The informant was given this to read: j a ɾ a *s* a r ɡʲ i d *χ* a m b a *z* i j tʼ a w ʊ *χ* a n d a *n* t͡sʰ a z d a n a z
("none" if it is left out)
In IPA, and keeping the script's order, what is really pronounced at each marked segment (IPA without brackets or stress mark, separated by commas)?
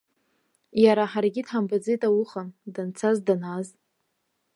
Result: ħ, ħ, d͡z, χ, n